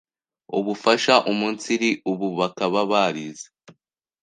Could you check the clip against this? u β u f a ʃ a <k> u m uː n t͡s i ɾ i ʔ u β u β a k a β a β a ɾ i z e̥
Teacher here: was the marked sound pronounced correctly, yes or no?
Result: no